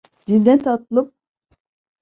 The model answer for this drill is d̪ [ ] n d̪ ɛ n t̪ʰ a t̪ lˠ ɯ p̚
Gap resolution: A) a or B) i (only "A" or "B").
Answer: B